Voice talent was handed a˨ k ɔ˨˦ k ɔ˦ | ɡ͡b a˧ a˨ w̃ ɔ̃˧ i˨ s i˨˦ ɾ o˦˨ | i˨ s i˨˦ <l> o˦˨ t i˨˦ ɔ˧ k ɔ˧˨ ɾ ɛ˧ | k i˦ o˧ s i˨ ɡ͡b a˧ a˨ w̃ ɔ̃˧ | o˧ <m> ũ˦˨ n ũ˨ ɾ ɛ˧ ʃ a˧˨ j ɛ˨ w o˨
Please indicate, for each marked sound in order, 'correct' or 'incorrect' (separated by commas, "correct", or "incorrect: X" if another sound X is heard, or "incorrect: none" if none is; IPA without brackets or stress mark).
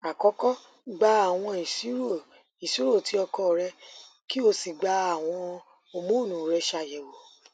incorrect: ɾ, correct